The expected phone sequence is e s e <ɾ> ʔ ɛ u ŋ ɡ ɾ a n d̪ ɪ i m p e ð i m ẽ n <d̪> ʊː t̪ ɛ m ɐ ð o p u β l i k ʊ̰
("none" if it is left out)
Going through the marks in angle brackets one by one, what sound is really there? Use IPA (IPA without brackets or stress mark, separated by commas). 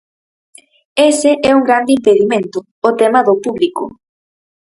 none, t̪